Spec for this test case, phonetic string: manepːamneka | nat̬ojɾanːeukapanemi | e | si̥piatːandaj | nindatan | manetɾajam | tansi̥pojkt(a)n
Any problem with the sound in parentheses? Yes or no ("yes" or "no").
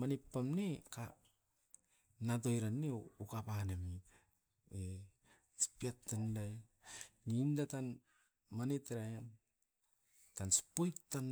no